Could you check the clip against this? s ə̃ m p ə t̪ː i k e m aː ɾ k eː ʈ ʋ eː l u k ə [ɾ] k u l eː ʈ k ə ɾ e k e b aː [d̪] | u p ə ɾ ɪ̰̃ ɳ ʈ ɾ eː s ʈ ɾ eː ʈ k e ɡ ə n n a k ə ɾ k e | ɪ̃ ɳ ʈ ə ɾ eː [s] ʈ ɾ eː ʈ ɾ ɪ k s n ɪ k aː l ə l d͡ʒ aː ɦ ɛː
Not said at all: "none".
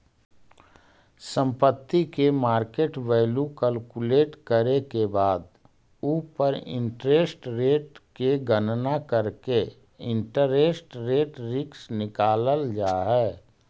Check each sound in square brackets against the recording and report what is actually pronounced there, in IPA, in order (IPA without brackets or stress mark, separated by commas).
l, d̪, s